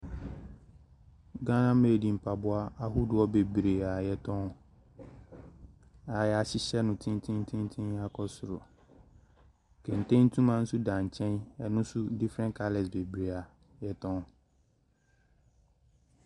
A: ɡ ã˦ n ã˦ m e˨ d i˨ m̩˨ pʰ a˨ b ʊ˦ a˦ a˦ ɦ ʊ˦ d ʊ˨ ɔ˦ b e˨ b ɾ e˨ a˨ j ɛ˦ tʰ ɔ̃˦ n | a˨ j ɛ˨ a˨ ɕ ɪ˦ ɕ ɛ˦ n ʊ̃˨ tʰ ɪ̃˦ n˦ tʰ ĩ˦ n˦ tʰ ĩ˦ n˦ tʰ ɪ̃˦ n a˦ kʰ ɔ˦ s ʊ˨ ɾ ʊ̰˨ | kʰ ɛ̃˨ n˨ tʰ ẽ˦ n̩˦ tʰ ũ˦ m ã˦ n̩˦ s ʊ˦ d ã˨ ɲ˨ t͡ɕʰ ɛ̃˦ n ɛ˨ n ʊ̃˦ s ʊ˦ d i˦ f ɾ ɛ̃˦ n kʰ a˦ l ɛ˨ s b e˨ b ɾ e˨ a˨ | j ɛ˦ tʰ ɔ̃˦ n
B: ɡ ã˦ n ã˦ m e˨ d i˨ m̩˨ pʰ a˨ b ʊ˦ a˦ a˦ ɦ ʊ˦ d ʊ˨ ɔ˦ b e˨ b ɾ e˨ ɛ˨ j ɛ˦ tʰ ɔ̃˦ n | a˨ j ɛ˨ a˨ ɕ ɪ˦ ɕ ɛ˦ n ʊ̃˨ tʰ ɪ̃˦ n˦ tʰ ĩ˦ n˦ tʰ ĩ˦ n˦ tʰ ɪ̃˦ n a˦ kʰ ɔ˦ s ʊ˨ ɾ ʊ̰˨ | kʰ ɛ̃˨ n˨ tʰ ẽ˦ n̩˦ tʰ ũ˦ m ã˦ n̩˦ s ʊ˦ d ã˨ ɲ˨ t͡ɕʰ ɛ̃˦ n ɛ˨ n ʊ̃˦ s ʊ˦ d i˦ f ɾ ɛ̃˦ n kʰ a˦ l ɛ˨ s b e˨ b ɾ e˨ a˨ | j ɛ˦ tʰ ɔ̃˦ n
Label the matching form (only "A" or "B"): A